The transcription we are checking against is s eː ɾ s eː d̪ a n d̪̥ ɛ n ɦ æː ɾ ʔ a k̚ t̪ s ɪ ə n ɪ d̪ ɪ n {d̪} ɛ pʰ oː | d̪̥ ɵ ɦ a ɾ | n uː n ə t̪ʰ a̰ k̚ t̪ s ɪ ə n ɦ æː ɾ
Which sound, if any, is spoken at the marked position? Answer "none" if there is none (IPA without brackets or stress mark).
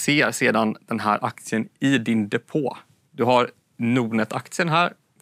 d̪